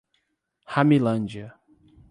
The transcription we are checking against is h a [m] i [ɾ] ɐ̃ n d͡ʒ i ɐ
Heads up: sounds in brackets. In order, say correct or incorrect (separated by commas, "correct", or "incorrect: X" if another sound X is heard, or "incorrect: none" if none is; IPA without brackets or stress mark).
correct, incorrect: l